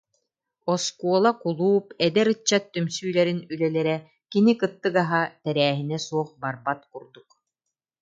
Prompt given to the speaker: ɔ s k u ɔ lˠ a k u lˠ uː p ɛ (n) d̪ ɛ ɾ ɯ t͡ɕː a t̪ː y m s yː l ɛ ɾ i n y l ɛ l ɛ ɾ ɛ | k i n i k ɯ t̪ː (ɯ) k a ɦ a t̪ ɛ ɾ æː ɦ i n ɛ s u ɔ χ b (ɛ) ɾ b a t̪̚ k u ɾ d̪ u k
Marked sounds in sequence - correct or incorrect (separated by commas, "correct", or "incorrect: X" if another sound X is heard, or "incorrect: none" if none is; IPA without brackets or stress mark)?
incorrect: none, correct, incorrect: a